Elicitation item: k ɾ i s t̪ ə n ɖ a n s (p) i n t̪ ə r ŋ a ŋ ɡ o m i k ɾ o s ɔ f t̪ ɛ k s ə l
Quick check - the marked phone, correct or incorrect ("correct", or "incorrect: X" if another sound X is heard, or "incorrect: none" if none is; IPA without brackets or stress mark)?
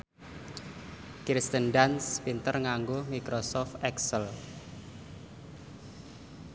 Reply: correct